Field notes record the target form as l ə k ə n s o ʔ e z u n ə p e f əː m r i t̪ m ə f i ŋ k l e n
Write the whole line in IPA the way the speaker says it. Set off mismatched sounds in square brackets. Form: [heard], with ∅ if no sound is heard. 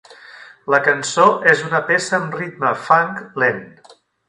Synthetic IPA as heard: l ə k ə n s o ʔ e z u n ə p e [s] əː m r i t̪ m ə f [a] ŋ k l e n